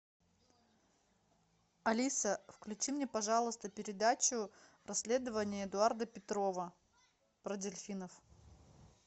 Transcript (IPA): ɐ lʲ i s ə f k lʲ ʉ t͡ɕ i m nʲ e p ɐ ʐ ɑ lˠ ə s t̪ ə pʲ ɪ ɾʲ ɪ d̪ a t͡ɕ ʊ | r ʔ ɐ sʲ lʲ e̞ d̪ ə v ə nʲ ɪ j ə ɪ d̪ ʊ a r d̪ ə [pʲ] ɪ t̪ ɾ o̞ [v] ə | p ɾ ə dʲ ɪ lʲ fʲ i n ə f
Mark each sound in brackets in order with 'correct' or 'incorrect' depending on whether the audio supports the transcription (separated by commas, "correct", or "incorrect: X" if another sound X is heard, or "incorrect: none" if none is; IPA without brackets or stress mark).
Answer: correct, correct